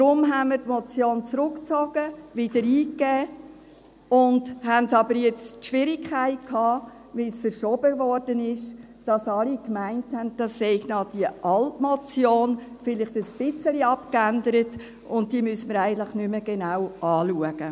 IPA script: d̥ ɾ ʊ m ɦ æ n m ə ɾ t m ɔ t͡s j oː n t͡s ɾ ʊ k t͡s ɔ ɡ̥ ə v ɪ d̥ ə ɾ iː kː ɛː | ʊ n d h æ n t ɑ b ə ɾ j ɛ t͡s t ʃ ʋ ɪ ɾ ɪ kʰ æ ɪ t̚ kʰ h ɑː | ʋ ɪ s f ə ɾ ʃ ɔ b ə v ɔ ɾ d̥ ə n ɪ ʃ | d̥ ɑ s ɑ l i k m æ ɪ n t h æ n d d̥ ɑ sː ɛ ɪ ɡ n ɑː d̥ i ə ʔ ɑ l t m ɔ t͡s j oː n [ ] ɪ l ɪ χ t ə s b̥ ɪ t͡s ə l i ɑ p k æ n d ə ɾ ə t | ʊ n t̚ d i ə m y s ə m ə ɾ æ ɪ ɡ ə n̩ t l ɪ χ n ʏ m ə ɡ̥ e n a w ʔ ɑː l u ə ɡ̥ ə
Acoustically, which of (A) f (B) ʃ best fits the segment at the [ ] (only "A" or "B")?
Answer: A